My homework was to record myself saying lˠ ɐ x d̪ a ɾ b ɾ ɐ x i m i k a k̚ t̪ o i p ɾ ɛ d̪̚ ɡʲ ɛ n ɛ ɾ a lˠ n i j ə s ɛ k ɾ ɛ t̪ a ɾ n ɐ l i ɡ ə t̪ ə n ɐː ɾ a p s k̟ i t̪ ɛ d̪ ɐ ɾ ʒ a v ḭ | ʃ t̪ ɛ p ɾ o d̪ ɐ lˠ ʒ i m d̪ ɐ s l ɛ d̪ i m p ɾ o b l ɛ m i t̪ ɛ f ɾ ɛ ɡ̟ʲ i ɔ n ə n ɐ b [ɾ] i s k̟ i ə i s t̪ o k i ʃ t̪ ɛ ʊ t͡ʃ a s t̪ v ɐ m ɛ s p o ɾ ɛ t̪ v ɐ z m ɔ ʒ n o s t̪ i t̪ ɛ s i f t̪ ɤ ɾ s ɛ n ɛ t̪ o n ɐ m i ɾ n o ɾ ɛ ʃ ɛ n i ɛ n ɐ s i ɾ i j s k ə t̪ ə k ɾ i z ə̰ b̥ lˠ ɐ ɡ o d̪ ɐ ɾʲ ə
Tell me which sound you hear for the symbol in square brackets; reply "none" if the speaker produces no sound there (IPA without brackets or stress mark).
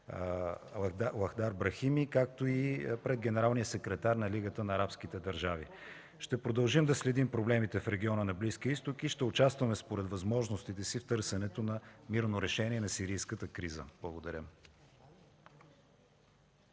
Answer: l